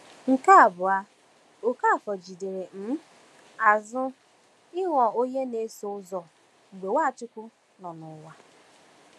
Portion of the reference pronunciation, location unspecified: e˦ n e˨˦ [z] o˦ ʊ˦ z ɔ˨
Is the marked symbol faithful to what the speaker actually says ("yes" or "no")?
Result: no